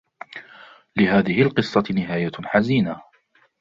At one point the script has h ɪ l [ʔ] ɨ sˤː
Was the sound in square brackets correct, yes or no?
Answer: no